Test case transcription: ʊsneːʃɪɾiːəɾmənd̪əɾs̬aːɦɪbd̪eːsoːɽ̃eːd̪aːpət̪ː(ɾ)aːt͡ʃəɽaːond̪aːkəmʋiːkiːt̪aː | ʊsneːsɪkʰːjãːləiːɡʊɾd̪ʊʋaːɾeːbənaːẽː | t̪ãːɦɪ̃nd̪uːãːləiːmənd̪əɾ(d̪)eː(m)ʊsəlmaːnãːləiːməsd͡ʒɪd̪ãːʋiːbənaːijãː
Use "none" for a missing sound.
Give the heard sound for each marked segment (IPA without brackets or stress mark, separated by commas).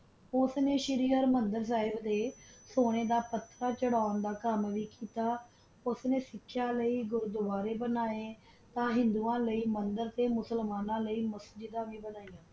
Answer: ɾ, t̪, m